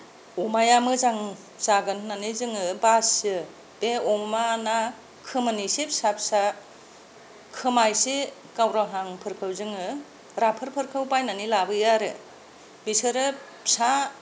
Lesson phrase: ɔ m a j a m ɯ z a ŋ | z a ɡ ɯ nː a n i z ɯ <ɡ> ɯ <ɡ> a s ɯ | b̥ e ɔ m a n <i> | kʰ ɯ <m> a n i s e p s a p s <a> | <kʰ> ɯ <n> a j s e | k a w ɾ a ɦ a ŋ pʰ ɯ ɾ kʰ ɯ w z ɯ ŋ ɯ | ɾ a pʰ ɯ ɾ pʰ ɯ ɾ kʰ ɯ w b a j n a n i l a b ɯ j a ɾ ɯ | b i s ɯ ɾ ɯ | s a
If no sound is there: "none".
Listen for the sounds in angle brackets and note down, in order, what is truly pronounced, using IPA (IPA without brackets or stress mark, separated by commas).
ŋ, b, a, m, a, kʰ, m